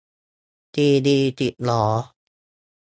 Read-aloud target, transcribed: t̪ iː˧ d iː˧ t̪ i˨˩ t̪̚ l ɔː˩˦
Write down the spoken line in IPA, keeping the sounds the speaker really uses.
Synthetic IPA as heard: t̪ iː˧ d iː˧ t̪ i˨˩ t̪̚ l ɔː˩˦

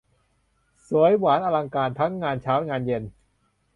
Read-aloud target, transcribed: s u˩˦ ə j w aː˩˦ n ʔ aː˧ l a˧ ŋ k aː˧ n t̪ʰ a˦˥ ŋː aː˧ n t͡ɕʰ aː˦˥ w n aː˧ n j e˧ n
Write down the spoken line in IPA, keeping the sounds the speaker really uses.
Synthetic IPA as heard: s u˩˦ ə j w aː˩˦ n ʔ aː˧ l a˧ ŋ k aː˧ n t̪ʰ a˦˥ ŋː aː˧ n t͡ɕʰ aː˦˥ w ŋ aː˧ n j e˧ n

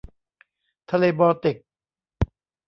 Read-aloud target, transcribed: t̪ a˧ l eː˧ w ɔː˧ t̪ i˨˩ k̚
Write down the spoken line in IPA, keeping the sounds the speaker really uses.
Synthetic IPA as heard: t̪ʰ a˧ l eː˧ b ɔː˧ t̪ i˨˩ k̚

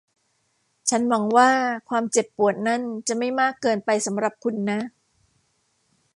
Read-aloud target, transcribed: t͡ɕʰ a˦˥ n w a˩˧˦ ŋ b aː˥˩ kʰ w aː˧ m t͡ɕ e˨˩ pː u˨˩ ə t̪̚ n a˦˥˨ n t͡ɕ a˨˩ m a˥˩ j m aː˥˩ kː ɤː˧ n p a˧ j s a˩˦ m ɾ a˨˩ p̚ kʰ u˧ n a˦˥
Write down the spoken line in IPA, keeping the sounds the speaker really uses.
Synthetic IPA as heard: t͡ɕʰ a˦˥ n w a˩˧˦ ŋ w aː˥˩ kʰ w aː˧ m t͡ɕ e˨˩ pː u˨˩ ə t̪̚ n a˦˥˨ n t͡ɕ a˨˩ m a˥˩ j m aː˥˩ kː ɤː˧ n p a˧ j s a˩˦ m ɾ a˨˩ p̚ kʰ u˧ nː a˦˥

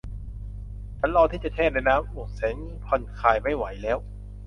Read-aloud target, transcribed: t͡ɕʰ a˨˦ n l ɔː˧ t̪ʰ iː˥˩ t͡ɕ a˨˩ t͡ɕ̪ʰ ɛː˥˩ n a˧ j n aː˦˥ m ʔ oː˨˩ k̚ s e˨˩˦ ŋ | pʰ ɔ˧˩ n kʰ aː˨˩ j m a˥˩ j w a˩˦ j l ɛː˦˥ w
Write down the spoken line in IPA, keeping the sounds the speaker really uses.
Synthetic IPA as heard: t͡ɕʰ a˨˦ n l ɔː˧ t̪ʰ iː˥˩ t͡ɕ a˨˩ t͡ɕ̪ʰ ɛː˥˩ n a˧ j n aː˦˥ m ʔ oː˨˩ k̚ s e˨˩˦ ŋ | pʰ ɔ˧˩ n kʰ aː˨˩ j m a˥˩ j w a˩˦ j l ɛː˦˥ w

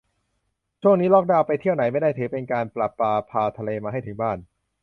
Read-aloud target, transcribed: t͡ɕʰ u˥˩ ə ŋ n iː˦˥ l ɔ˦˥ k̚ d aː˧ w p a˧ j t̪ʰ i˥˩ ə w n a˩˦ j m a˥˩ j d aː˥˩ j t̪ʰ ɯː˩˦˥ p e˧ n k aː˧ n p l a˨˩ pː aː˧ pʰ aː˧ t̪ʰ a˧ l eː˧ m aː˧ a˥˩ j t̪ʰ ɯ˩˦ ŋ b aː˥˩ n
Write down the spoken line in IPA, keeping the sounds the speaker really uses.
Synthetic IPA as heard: t͡ɕʰ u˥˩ ə ŋ n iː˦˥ l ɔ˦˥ k̚ d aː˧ w p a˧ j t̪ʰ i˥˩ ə w n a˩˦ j m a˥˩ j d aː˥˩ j t̪ʰ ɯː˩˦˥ p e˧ n k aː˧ n p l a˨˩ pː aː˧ pʰ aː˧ t̪ʰ a˧ l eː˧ m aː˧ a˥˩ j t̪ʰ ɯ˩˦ ŋ b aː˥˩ n

